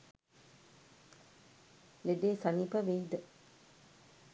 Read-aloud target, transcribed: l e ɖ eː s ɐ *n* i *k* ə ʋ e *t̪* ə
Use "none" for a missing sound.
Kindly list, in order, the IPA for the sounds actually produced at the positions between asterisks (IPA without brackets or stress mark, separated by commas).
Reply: n, p, d̪